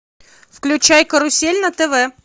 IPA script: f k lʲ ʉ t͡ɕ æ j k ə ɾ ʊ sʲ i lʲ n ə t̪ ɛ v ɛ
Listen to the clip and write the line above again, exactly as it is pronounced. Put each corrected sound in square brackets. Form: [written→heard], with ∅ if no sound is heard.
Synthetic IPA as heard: f k lʲ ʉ t͡ɕ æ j k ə ɾ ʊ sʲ [i→e] lʲ n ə t̪ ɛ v ɛ

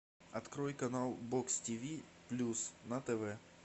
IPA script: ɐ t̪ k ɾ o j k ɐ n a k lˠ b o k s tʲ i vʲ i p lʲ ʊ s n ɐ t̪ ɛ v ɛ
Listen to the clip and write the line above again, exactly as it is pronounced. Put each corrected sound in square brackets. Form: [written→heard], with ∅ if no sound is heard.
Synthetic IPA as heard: ɐ t̪ k ɾ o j k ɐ n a [k→∅] lˠ b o k s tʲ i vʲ i p lʲ [ʊ→u] s n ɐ t̪ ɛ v ɛ

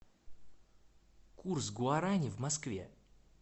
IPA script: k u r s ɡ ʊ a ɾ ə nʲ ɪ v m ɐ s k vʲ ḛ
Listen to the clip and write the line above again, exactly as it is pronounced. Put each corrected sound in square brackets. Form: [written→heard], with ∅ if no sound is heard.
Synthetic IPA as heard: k u r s ɡ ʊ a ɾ [ə→a] nʲ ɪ v m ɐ s k vʲ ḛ

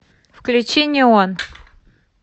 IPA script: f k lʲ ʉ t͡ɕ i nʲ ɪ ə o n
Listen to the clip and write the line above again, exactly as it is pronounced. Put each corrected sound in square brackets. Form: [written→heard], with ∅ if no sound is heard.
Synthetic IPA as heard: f k lʲ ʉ t͡ɕ [i→e] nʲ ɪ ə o n

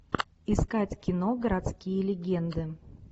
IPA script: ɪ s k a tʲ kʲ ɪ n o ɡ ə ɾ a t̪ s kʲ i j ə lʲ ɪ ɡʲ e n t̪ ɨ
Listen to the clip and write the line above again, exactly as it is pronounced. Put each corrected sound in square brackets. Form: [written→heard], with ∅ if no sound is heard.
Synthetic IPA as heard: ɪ s k a tʲ kʲ ɪ n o ɡ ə ɾ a t̪ s kʲ i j ə lʲ ɪ ɡʲ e n [t̪→d̪] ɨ

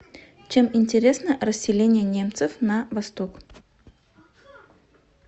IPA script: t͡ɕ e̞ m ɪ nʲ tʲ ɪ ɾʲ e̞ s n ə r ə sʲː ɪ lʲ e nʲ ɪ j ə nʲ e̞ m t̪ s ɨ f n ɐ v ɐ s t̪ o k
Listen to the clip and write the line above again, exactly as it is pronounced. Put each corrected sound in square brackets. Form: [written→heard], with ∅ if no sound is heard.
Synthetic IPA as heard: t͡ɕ e̞ m ɪ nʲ tʲ ɪ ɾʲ e̞ s n ə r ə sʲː ɪ lʲ e nʲ ɪ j ə nʲ e̞ m t̪ s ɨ f n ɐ v ɐ s t̪ o k

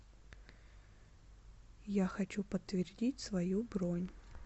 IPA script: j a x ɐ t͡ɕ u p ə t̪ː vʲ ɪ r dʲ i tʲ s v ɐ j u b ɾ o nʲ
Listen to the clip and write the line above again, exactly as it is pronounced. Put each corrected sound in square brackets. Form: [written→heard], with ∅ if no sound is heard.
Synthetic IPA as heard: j a x ɐ t͡ɕ u p ə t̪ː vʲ ɪ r dʲ i tʲ s v ɐ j u b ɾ o nʲ

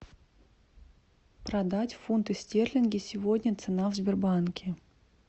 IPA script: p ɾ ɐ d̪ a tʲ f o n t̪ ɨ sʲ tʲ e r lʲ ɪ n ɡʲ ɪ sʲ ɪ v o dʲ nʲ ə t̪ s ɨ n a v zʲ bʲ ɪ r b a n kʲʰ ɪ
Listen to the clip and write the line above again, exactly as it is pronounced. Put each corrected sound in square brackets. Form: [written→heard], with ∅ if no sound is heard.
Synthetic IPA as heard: p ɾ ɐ d̪ a tʲ f [o→u] n t̪ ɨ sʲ tʲ e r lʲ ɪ n ɡʲ ɪ sʲ ɪ v o dʲ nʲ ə t̪ s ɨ n a v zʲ bʲ ɪ r b a n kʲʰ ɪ

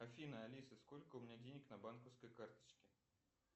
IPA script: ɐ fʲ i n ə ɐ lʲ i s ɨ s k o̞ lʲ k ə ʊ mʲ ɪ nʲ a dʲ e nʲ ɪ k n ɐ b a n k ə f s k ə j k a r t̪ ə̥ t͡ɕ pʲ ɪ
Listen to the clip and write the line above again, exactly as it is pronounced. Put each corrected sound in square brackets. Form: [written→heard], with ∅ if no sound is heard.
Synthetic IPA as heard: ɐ fʲ i n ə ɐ lʲ i s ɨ s k o̞ lʲ k ə ʊ mʲ ɪ nʲ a dʲ e nʲ ɪ k n ɐ b a n k ə f s k ə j k a r t̪ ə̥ t͡ɕ [pʲ→kʲ] ɪ

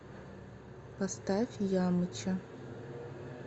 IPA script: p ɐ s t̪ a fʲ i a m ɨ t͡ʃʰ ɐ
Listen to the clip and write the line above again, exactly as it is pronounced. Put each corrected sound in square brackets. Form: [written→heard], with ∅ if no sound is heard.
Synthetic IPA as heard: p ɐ s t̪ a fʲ [i→j] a m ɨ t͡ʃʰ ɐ

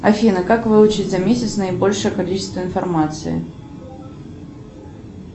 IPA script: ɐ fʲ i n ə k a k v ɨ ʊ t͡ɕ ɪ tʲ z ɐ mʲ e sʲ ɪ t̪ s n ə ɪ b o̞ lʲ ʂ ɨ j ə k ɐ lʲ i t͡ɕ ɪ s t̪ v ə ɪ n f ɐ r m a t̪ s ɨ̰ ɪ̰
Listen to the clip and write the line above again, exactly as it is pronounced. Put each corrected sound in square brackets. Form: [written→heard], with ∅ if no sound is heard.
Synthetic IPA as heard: ɐ fʲ i n ə k a k v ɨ ʊ t͡ɕ ɪ tʲ z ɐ mʲ e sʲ ɪ t̪ s n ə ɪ b o̞ lʲ ʂ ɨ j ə k ɐ lʲ i t͡ɕ ɪ s t̪ v ə ɪ n f ɐ r m a t̪ s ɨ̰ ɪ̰

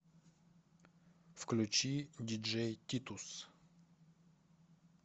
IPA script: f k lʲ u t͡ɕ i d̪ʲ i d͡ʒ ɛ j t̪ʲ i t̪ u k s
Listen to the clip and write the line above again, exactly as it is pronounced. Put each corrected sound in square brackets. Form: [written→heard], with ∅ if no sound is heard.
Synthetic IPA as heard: f k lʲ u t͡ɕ i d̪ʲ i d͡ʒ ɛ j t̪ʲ i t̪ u [k→∅] s

